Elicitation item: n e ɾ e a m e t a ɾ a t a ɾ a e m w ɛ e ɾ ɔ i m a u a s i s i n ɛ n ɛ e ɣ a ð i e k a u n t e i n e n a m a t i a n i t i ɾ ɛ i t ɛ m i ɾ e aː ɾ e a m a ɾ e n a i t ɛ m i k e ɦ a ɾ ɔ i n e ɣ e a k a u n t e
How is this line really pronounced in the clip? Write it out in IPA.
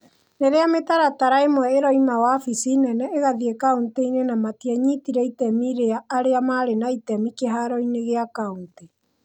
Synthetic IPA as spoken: n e ɾ e a m e t a ɾ a t a ɾ a e m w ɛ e ɾ ɔ i m a w a f i s i n ɛ n ɛ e ɣ a ð i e k a u n t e i n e n a m a t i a ɲ i t i ɾ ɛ i t ɛ m i ɾ e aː ɾ e a m a ɾ e n a i t ɛ m i k e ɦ a ɾ ɔ i n e ɣ e a k a u n t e